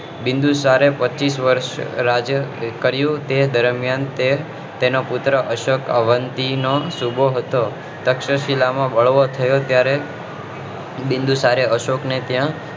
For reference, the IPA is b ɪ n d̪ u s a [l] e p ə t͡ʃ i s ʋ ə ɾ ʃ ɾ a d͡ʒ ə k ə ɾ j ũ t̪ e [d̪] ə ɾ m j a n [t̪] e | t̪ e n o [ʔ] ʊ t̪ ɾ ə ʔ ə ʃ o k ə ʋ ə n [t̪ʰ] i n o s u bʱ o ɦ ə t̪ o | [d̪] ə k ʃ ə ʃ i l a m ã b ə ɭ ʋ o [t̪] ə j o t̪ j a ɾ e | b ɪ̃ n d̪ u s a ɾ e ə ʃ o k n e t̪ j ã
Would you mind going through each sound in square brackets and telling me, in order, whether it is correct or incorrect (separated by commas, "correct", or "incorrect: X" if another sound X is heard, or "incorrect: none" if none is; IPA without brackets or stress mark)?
incorrect: ɾ, correct, correct, incorrect: p, incorrect: t̪, incorrect: t̪, incorrect: t̪ʰ